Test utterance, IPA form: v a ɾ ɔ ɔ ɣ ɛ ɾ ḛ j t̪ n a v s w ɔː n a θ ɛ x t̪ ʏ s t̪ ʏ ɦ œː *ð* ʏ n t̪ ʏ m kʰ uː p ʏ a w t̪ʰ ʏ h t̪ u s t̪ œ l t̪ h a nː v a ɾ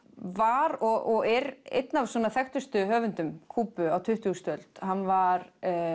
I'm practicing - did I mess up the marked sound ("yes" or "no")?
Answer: yes